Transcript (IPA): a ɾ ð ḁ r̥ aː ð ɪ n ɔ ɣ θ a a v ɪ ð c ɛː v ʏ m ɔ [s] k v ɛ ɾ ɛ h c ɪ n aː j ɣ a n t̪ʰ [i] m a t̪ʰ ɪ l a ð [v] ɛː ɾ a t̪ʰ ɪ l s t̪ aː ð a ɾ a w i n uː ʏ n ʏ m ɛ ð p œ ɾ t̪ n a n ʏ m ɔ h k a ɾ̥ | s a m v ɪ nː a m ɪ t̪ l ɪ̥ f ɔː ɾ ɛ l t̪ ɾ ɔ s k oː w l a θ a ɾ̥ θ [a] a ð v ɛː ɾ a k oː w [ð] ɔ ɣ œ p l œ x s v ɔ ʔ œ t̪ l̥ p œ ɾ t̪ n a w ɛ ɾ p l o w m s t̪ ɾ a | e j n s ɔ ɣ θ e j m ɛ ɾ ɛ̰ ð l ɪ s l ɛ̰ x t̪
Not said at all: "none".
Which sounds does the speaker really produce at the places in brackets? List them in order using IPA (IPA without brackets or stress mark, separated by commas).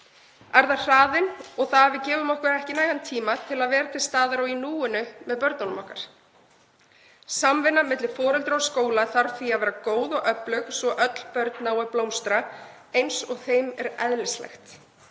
h, iː, v, i, ð